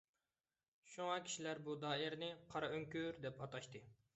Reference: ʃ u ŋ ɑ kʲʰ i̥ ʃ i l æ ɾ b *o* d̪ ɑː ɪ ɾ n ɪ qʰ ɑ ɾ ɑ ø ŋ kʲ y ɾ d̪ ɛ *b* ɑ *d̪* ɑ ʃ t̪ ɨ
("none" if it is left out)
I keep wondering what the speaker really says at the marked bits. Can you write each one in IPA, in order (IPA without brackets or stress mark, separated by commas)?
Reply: u, p, t̪